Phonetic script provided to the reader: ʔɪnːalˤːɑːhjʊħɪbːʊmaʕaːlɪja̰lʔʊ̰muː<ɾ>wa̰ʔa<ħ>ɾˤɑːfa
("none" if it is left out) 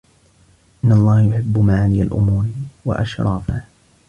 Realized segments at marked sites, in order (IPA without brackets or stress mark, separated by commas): ɾ, ʃ